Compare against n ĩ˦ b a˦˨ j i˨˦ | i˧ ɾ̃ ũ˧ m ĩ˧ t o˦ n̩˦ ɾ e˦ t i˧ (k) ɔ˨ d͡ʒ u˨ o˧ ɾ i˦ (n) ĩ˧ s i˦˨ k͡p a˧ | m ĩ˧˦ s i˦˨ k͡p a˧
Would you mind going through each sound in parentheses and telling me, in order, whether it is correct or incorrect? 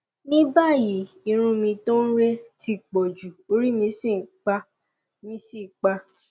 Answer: incorrect, incorrect

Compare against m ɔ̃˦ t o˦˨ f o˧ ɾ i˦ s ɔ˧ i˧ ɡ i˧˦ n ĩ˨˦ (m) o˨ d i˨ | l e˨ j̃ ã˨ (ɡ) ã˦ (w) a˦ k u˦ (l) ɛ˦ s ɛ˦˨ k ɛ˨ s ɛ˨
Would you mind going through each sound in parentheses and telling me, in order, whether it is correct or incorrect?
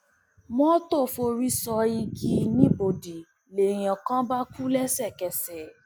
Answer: incorrect, incorrect, incorrect, correct

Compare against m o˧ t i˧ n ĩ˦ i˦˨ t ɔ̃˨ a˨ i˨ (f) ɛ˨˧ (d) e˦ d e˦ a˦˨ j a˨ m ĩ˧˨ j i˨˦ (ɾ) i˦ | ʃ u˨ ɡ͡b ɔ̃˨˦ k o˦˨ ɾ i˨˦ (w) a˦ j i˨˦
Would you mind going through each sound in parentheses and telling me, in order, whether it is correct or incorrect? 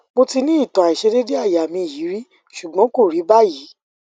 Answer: incorrect, correct, correct, incorrect

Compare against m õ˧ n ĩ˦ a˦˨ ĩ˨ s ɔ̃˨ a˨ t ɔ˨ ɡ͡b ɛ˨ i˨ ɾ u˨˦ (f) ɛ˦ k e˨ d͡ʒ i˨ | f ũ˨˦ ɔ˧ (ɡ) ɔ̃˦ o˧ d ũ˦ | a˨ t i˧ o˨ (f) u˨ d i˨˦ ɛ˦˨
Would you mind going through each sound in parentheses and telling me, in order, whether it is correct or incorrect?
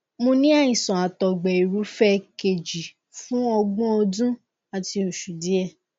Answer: correct, incorrect, incorrect

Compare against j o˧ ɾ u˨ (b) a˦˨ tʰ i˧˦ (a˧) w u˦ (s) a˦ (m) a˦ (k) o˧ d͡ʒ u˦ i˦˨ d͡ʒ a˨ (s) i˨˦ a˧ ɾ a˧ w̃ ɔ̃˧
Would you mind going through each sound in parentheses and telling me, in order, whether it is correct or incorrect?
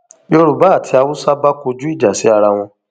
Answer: correct, correct, correct, incorrect, correct, correct

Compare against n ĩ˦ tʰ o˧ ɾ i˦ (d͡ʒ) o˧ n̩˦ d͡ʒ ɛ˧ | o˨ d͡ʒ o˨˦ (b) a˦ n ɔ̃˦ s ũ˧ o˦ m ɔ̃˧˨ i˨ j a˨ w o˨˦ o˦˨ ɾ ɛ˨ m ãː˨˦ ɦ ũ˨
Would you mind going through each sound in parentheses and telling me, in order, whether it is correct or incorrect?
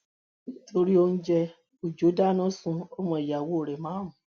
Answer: incorrect, incorrect

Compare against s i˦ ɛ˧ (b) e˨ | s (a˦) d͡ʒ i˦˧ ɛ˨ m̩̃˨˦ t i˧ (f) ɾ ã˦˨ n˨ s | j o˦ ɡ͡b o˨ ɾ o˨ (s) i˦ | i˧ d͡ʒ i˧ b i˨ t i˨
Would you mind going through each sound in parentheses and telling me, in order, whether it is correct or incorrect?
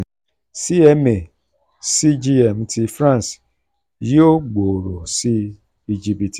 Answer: incorrect, incorrect, correct, correct

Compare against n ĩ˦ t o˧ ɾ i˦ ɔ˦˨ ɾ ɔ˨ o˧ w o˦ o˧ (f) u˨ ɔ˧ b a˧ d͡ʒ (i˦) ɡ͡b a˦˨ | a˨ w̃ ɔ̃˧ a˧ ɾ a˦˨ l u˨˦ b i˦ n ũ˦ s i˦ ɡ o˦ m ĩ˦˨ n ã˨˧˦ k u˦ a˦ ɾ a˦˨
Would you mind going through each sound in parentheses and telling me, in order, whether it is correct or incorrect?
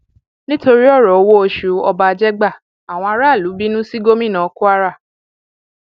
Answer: incorrect, incorrect

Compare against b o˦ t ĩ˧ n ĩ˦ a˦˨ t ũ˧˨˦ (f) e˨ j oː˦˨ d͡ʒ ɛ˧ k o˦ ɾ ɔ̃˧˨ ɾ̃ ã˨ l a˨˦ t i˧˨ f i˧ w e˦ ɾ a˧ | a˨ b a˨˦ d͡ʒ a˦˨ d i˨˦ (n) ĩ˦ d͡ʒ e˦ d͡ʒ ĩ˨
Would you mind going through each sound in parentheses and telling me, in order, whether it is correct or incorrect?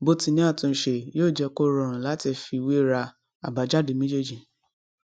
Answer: incorrect, incorrect

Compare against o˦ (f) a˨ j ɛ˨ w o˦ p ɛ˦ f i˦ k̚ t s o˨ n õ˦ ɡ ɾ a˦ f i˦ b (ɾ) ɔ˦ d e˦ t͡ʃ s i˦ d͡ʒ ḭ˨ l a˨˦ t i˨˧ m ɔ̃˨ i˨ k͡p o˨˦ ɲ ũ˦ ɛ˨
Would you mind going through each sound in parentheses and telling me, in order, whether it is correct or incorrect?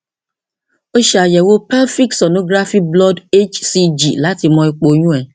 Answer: incorrect, incorrect

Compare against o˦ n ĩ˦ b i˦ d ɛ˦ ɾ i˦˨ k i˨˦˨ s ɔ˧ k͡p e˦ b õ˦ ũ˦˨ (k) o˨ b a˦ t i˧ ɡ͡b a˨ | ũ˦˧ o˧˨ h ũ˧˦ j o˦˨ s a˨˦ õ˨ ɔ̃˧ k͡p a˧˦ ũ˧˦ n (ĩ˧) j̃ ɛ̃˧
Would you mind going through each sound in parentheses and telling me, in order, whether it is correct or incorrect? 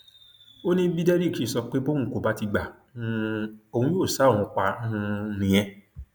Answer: correct, correct

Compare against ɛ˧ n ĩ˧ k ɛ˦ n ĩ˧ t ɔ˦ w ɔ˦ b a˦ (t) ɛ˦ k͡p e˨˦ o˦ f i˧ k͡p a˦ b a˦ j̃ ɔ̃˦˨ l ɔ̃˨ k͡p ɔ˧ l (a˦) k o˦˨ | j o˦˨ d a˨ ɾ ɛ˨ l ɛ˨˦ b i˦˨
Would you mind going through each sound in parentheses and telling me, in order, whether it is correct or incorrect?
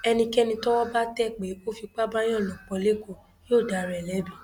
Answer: correct, incorrect

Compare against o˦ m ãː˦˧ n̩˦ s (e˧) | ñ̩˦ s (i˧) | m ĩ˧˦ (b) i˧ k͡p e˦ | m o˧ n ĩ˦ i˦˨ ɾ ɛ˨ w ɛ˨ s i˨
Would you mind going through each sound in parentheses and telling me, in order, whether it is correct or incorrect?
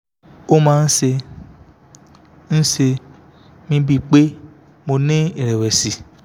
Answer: correct, incorrect, correct

